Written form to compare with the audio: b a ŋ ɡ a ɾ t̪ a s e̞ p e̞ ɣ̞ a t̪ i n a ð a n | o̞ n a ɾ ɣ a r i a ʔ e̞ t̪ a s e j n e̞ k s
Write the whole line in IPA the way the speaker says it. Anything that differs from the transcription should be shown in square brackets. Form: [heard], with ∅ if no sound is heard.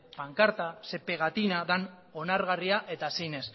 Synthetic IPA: [p] a ŋ [k] a ɾ t̪ a s e̞ p e̞ ɣ̞ a t̪ i n a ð a n | o̞ n a ɾ ɣ a r i a ʔ e̞ t̪ a s e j n e̞ [∅] s